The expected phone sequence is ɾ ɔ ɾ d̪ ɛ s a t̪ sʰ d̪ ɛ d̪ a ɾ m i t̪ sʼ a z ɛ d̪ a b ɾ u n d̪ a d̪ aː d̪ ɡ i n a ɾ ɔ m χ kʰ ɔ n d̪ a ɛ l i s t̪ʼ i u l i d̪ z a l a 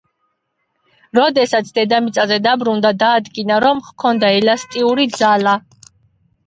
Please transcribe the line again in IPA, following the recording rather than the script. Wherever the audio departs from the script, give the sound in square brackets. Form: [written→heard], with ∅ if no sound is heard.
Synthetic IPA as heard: ɾ ɔ [ɾ→∅] d̪ ɛ s a t̪ sʰ d̪ ɛ d̪ a [ɾ→∅] m i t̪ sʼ a z ɛ d̪ a b ɾ u n d̪ a d̪ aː d̪ ɡ i n a ɾ ɔ m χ kʰ ɔ n d̪ a ɛ l [i→a] s t̪ʼ i u [l→ɾ] i d̪ z a l a